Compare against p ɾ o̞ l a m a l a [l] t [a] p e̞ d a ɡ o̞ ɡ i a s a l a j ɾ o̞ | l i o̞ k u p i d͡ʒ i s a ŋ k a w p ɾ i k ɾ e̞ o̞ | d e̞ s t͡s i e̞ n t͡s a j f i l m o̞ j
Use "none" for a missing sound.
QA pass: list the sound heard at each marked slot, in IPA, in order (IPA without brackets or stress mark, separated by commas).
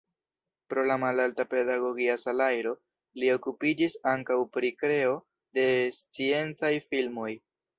l, a